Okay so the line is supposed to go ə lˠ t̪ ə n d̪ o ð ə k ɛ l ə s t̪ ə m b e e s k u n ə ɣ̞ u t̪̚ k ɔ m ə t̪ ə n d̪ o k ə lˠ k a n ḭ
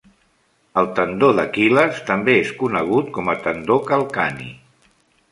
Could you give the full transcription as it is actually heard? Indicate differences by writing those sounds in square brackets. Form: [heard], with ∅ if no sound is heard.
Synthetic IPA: ə lˠ t̪ ə n d̪ o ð ə k [i] l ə s t̪ ə m b e e s k u n ə ɣ̞ u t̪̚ k ɔ m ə t̪ ə n d̪ o k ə lˠ k a n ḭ